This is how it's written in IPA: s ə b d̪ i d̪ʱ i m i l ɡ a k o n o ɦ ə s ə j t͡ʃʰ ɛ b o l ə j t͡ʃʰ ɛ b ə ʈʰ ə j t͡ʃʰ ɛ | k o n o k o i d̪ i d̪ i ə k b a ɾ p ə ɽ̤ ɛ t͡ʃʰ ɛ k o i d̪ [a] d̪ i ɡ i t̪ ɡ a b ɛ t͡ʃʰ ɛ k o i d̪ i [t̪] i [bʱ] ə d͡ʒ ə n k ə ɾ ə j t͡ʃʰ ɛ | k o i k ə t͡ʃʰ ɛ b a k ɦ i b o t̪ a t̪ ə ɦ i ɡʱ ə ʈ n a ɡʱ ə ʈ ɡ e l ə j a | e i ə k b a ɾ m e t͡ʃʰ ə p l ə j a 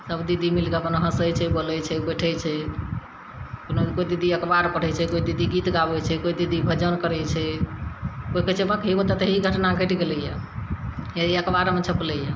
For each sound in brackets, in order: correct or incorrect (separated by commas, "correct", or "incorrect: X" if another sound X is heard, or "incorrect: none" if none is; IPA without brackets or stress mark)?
incorrect: i, incorrect: d̪, correct